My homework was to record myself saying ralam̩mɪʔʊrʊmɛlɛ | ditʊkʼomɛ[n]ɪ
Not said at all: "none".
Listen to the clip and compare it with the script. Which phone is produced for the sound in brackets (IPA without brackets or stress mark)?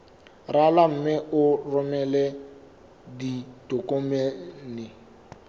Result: n